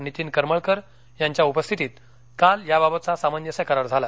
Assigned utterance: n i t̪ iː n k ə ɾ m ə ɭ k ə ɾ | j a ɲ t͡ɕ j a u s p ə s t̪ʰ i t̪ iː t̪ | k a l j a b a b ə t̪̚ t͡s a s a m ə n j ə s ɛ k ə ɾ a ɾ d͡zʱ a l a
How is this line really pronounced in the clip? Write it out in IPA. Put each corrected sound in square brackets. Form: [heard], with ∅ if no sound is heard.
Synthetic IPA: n i t̪ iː n k ə ɾ m ə ɭ k ə ɾ | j a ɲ t͡ɕ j a u [∅] p ə s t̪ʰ i t̪ iː t̪ | k a l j a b a b ə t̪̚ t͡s a s a m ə n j ə s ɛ k ə ɾ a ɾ d͡zʱ a l a